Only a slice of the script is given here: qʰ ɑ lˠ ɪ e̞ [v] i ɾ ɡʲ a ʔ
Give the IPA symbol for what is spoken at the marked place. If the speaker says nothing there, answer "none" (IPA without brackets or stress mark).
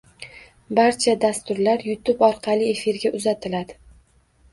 f